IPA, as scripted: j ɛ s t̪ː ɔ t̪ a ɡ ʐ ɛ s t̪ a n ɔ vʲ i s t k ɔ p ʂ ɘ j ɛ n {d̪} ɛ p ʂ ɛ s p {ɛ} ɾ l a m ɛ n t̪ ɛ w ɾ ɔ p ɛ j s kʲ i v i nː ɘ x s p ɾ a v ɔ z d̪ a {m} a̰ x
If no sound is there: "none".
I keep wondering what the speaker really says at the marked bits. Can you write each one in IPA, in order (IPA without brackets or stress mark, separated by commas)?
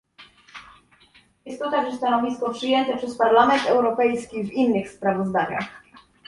t̪, a, ɲ